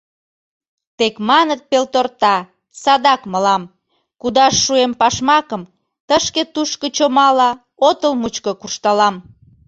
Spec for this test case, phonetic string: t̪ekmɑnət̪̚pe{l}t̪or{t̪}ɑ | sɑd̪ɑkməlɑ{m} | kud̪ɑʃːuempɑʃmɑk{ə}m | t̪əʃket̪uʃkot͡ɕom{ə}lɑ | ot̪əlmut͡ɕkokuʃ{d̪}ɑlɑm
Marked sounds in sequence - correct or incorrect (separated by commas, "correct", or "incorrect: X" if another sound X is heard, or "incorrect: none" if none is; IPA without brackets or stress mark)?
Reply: correct, correct, correct, correct, incorrect: ɑ, incorrect: t̪